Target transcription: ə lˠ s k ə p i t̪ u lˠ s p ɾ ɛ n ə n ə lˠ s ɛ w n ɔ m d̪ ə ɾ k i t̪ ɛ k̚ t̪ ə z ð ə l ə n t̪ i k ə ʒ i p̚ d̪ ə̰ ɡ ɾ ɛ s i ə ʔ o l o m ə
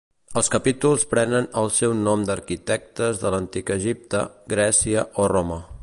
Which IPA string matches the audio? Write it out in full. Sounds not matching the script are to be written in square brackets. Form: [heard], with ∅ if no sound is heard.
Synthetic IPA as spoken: ə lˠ s k ə p i t̪ u lˠ s p ɾ ɛ n ə n ə lˠ s ɛ w n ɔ m d̪ ə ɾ k i t̪ ɛ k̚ t̪ ə z ð ə l ə n t̪ i k ə ʒ i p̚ [t̪] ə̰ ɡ ɾ ɛ s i ə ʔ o [r] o m ə